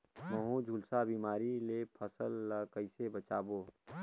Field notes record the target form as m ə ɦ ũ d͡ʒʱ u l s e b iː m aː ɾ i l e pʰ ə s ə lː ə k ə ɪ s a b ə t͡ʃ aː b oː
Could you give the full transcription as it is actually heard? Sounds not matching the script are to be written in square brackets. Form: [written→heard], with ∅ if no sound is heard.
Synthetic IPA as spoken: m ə ɦ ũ d͡ʒʱ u l s [e→a] b iː m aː ɾ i l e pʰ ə s ə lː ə k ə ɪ s [a→e] b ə t͡ʃ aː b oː